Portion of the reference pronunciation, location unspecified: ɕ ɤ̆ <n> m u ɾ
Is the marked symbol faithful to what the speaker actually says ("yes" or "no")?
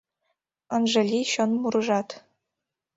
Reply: yes